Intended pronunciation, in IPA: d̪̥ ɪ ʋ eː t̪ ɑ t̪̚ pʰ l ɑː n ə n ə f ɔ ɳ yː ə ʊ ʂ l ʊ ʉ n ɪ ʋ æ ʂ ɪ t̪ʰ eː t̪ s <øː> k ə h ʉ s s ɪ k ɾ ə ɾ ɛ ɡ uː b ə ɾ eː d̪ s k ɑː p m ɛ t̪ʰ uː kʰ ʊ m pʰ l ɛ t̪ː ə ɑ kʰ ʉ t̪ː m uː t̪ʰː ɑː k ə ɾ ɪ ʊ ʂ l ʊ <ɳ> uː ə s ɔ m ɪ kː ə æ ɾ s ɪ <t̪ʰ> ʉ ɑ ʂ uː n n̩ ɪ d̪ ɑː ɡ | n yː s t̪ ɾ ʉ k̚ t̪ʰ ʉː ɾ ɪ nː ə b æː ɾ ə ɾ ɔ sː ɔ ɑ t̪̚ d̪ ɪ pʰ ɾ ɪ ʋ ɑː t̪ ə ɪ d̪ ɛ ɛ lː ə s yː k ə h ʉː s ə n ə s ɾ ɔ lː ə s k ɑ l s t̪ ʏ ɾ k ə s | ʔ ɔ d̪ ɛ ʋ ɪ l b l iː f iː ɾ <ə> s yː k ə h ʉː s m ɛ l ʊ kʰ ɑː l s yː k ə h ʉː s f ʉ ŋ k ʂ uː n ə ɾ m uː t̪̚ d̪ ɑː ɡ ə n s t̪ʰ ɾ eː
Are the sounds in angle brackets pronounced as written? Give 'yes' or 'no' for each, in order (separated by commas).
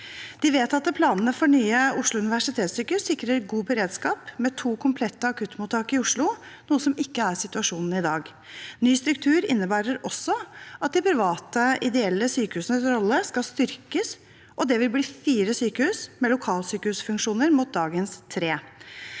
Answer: no, no, no, yes